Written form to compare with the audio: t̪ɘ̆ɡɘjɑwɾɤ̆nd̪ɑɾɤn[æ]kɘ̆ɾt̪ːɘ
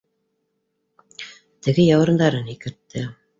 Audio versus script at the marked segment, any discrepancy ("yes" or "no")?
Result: yes